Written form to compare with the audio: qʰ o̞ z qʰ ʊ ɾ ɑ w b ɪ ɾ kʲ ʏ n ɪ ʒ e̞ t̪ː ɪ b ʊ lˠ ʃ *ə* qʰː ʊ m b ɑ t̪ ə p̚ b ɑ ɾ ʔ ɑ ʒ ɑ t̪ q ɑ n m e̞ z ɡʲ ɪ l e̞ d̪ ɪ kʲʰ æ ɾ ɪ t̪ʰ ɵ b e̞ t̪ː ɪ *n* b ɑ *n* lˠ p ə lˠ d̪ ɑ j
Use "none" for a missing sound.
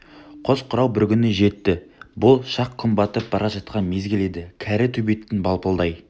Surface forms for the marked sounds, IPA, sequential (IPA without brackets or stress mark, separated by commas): ɑ, n, none